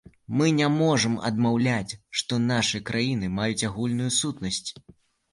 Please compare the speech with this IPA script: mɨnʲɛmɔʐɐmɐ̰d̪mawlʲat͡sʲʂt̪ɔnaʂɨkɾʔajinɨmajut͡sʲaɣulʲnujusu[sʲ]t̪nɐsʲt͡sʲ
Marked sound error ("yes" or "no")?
yes